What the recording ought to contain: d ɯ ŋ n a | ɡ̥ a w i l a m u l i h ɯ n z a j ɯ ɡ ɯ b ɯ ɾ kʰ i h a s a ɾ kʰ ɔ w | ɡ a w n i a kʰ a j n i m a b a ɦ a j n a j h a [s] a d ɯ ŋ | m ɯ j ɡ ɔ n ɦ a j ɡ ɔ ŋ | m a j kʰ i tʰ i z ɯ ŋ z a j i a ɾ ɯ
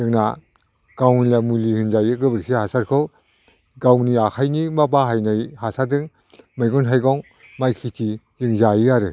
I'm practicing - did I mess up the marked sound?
no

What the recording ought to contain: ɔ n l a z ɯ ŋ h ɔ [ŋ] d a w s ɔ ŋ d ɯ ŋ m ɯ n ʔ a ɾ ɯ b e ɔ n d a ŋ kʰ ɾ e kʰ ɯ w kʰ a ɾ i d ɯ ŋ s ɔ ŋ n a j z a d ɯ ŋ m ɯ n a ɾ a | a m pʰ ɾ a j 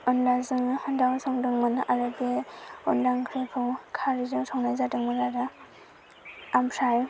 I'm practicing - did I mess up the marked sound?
yes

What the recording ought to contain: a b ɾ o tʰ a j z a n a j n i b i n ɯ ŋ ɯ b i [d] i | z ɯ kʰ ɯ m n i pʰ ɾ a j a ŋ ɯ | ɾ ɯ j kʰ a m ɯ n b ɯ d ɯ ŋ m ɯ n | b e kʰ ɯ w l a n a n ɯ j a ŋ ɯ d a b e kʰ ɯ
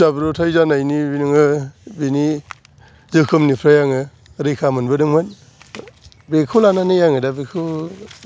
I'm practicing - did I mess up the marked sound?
yes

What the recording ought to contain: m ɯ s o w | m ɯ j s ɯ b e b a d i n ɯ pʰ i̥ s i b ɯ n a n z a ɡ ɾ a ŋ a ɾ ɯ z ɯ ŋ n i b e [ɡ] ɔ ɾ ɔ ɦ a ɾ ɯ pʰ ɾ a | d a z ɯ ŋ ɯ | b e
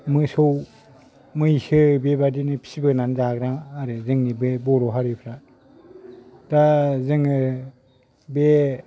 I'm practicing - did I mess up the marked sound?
yes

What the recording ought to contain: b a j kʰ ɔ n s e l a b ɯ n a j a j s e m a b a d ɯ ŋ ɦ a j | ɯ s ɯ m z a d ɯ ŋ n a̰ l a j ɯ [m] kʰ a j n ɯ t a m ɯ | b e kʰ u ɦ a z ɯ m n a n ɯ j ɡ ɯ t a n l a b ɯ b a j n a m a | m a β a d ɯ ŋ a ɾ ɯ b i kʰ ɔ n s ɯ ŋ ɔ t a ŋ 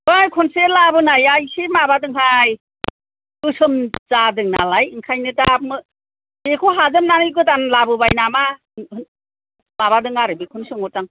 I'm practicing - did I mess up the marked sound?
yes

